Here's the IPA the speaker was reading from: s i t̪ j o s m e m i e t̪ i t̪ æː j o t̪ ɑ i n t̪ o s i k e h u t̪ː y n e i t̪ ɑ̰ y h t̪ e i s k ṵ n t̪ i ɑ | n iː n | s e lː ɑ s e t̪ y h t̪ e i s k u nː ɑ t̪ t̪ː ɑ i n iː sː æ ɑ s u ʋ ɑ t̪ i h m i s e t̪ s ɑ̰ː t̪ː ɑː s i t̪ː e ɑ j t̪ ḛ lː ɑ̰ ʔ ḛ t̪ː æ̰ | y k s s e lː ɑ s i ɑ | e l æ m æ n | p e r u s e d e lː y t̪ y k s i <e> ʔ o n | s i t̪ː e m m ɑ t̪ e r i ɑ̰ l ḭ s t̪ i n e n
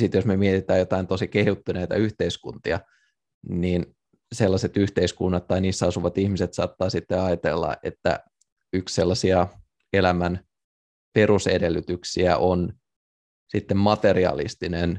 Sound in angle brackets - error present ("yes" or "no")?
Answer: yes